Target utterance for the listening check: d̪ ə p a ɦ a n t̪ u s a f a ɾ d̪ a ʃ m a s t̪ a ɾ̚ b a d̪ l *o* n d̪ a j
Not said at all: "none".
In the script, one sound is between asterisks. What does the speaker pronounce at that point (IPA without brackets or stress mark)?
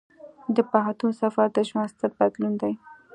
u